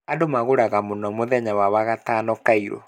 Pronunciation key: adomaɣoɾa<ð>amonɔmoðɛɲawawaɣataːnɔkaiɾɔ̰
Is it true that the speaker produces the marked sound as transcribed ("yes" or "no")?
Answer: no